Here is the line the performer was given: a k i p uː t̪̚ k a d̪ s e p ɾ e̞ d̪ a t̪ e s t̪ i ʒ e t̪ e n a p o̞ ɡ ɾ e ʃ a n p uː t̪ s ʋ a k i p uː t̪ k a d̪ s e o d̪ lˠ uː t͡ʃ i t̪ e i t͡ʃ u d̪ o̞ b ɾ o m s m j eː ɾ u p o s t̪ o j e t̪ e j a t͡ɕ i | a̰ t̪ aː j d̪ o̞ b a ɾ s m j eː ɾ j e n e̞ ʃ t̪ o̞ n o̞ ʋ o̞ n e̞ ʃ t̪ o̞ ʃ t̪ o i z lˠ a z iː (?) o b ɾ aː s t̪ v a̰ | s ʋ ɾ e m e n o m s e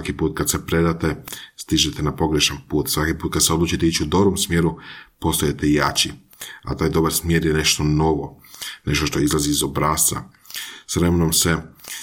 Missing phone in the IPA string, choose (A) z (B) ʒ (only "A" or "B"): A